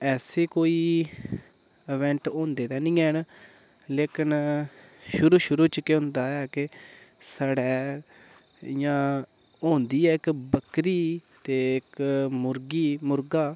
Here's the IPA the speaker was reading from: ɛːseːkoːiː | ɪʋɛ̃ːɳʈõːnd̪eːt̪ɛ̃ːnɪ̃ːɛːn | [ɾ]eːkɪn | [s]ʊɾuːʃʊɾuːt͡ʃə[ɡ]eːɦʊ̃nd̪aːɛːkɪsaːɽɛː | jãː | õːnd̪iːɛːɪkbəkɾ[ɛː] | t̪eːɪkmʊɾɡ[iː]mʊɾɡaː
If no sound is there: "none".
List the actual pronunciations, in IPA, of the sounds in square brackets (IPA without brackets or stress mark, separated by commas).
l, ʃ, k, iː, iː